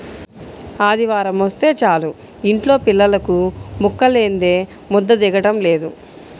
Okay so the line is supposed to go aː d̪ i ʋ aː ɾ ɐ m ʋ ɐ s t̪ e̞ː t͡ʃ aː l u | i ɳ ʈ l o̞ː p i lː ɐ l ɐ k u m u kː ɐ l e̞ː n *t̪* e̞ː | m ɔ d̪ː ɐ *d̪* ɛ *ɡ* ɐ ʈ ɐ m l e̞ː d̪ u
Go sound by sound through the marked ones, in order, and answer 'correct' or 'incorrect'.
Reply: incorrect: d̪, correct, correct

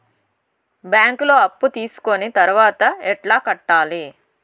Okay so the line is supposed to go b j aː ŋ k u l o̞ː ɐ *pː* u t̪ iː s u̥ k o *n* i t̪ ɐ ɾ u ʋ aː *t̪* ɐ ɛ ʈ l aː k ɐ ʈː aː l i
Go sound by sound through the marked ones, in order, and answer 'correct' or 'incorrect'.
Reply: correct, correct, correct

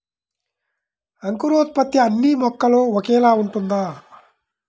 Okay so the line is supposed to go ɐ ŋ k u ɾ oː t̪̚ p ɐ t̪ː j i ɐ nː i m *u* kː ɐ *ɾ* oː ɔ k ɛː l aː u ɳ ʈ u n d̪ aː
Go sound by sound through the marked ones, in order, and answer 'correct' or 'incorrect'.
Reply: incorrect: ɔ, incorrect: l

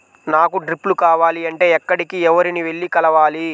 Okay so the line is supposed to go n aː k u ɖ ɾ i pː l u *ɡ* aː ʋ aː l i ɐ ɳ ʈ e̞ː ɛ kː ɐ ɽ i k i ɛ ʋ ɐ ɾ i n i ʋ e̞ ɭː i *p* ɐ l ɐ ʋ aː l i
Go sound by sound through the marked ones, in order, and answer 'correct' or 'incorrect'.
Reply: incorrect: k, incorrect: k

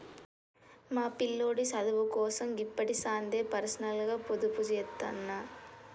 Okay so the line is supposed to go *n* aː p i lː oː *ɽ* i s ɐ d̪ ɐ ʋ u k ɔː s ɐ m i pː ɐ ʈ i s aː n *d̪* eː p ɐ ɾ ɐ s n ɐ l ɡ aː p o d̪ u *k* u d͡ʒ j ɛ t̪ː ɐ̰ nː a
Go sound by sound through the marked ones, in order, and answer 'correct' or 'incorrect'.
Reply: incorrect: m, correct, correct, incorrect: p

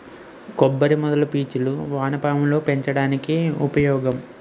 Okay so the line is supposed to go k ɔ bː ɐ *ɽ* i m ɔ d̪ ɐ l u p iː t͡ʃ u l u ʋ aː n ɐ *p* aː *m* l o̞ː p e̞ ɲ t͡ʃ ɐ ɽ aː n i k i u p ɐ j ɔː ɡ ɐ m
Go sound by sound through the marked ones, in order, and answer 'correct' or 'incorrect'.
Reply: incorrect: ɾ, correct, correct

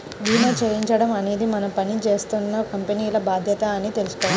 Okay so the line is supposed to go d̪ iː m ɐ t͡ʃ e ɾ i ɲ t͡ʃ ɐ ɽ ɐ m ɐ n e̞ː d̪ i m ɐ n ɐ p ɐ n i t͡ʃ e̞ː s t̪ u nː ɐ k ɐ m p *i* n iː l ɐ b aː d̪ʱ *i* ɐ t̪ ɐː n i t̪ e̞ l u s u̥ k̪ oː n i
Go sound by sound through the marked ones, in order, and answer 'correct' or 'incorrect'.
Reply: incorrect: e, incorrect: j

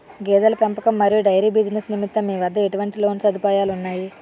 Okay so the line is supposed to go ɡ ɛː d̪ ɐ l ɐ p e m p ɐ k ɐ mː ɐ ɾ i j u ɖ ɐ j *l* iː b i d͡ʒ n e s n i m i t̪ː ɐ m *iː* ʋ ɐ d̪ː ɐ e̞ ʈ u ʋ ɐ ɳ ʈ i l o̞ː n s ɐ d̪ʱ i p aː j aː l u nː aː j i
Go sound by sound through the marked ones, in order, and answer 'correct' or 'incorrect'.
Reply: incorrect: ɾ, correct

